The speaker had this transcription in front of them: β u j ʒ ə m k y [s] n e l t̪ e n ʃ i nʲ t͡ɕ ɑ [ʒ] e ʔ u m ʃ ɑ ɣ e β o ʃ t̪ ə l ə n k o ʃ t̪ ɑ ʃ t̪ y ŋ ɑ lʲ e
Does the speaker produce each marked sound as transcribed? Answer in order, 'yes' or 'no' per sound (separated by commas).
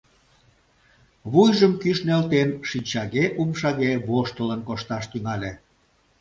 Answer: no, no